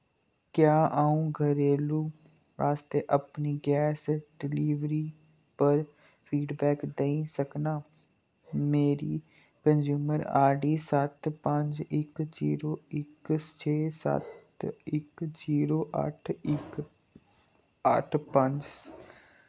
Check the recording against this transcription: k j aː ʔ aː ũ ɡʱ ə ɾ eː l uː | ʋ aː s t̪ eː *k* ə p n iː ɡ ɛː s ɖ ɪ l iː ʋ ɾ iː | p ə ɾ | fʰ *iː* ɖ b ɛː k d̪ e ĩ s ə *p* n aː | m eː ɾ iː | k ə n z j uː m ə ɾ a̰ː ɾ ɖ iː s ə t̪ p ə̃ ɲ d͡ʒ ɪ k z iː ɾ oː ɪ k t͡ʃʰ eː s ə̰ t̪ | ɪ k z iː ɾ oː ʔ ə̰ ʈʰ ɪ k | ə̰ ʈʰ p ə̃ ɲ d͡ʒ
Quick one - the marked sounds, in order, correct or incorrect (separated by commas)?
incorrect, correct, incorrect